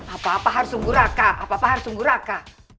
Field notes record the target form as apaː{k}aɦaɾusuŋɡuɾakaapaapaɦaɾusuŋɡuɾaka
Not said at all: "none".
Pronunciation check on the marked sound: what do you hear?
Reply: p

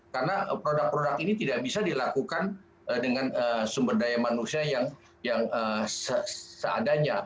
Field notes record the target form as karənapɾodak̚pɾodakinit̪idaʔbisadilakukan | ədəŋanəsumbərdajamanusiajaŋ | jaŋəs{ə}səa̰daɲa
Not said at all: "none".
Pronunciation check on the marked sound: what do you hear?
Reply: ə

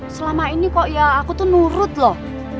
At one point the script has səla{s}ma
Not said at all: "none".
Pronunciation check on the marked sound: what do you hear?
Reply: none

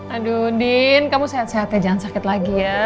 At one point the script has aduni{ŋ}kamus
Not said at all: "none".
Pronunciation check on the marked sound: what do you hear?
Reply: n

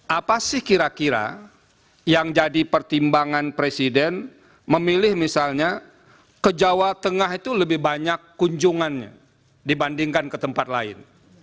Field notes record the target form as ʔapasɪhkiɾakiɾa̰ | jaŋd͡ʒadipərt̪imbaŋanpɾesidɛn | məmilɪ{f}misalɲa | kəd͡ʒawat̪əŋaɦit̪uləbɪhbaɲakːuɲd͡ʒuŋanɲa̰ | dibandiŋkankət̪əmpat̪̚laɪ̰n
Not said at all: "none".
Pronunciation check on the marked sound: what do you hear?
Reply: h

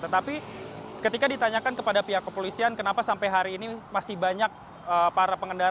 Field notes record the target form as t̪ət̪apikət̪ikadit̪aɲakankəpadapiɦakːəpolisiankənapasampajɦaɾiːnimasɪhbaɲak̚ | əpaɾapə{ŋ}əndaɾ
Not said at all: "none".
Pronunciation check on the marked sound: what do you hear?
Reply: ŋ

